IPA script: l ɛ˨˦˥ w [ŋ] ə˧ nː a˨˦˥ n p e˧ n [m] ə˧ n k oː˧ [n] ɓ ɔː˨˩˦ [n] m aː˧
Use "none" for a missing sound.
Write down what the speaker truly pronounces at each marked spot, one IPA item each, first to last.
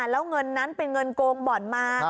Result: ŋ, ŋ, ŋ, n

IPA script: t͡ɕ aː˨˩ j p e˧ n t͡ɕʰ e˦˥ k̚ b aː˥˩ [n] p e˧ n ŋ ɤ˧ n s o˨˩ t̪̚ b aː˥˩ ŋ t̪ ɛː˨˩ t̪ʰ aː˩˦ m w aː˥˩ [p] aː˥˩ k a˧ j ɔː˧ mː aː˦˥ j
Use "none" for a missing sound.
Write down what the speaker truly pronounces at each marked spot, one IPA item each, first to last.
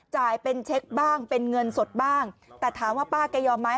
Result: ŋ, p

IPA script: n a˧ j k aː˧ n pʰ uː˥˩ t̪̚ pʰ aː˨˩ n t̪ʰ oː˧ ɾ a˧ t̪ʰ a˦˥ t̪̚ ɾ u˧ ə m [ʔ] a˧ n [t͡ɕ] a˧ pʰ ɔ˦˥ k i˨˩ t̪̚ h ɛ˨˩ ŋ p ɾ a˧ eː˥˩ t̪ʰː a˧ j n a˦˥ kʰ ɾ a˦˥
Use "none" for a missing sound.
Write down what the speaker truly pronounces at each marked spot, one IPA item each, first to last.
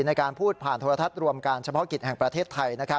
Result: k, t͡ɕʰ

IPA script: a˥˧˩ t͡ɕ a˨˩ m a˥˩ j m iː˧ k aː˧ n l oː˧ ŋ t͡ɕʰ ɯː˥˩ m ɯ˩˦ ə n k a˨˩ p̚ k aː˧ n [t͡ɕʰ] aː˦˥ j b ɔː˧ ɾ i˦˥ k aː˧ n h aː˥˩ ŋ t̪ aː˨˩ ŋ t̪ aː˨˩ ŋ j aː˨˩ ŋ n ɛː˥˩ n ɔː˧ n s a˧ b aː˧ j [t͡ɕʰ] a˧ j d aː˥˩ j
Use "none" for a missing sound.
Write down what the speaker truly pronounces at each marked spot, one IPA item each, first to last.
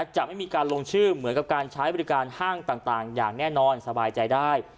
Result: t͡ɕʰ, t͡ɕ

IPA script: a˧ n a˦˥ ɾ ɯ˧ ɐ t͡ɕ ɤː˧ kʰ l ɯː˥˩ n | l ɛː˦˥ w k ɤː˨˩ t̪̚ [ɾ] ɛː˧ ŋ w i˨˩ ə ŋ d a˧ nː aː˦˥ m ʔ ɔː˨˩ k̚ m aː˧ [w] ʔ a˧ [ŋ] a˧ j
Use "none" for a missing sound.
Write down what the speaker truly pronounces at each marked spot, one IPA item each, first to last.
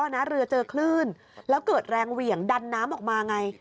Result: ɾ, none, ŋ

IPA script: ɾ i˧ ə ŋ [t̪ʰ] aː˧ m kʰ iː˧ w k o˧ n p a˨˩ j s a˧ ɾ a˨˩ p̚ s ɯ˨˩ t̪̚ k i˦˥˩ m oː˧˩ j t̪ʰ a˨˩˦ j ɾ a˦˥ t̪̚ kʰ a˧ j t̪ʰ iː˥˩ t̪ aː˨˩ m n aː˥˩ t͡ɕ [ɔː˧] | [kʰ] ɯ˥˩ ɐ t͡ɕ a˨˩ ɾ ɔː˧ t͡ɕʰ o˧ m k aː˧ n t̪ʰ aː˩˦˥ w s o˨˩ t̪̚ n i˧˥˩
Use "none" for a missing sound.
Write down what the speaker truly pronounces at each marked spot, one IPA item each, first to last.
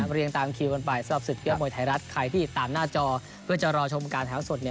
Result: t̪, ɔː˧, pʰ

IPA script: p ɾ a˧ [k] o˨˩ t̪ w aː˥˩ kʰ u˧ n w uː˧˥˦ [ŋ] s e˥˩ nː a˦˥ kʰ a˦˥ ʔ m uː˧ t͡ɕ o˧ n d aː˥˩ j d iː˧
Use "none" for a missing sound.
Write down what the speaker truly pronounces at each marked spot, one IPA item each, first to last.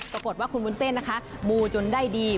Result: k, n

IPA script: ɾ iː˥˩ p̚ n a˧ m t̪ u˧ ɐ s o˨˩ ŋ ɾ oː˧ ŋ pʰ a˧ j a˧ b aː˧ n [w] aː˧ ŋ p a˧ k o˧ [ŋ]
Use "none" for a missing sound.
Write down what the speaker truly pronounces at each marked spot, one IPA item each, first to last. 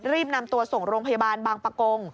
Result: b, ŋ

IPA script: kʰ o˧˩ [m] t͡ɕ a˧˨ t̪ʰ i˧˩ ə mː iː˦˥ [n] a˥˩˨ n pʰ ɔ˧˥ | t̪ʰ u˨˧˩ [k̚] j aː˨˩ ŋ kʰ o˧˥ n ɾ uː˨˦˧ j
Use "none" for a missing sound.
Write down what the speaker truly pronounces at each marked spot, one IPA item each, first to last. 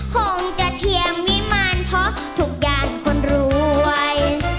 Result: ŋ, m, k̚

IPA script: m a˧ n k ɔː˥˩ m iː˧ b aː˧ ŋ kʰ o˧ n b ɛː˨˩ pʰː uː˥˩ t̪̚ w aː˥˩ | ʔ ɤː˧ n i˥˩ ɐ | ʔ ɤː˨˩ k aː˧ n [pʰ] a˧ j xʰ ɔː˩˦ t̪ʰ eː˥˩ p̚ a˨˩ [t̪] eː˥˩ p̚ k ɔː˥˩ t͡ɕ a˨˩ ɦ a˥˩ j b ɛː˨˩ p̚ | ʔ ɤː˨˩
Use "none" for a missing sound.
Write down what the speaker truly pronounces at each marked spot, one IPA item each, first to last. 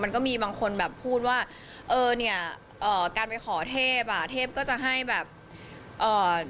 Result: p, t̪ʰ

